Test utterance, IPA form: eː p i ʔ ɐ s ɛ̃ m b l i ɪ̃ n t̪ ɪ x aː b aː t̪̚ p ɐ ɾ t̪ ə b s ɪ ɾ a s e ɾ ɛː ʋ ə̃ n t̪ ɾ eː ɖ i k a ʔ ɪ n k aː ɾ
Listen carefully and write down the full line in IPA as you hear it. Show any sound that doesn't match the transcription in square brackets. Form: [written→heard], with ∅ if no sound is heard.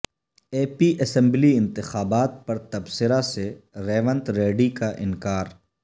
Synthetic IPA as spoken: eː p i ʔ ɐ s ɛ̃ m b l i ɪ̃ n t̪ ɪ x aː b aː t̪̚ p ɐ ɾ t̪ [ə→ɐ] b s ɪ ɾ a s e ɾ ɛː ʋ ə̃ n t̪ ɾ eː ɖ i k a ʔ ɪ n k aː ɾ